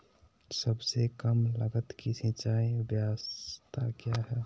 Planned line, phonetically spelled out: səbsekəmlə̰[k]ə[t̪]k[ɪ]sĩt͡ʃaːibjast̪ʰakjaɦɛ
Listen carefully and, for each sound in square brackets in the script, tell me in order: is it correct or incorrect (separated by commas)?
incorrect, correct, incorrect